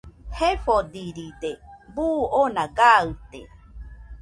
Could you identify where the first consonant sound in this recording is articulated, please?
glottal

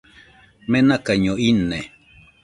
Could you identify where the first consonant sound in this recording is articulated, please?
labial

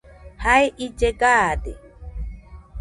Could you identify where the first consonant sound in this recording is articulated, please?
glottal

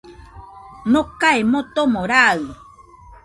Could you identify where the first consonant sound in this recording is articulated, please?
alveolar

